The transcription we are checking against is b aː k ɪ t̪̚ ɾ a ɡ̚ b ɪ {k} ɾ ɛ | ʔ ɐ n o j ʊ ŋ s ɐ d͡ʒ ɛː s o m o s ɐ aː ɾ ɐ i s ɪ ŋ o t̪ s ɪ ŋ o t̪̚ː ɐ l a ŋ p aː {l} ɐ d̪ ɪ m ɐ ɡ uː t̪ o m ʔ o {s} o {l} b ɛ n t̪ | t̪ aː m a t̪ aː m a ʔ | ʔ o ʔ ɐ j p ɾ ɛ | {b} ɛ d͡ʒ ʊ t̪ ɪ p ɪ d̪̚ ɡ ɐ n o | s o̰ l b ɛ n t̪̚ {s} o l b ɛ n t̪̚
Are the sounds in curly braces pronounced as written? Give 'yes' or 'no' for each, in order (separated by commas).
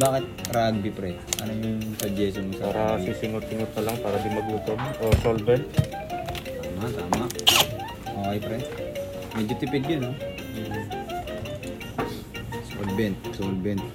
no, no, yes, yes, no, yes